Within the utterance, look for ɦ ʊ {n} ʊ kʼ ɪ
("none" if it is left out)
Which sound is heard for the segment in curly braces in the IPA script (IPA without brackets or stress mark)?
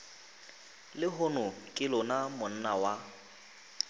n